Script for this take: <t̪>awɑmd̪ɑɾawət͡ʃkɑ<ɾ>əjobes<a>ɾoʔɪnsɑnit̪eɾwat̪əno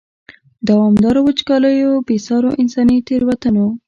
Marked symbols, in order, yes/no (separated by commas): no, no, no